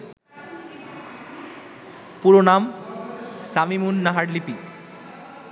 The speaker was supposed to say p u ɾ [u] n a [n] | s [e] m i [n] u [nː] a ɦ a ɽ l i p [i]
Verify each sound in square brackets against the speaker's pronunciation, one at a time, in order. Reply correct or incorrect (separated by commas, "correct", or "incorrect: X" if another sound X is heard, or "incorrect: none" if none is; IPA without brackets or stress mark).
incorrect: o, incorrect: m, incorrect: a, incorrect: m, correct, correct